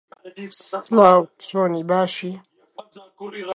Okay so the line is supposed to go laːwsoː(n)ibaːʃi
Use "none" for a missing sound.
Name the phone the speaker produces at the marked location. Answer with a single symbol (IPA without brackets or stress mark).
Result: n